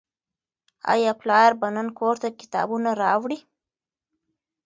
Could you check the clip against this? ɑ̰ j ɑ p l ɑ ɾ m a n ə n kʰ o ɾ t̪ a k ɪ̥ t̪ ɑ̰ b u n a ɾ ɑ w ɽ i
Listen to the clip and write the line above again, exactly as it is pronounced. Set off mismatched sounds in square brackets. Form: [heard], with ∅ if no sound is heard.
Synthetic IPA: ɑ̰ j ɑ p l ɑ ɾ [b] a n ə n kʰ o ɾ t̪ a k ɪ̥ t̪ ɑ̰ b u n a ɾ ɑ w ɽ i